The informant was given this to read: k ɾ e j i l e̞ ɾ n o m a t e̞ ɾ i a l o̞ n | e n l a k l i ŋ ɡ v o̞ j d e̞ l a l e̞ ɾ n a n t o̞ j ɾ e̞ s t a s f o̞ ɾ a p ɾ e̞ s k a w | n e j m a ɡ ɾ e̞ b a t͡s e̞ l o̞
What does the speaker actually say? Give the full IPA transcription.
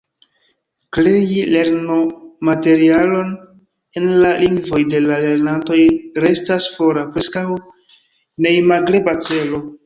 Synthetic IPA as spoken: k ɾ e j i l e̞ ɾ n o m a t e̞ ɾ i a l o̞ n | e n l a l i ŋ ɡ v o̞ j d e̞ l a l e̞ ɾ n a n t o̞ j ɾ e̞ s t a s f o̞ ɾ a p ɾ e̞ s k a w | n e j m a ɡ ɾ e̞ b a t͡s e̞ l o̞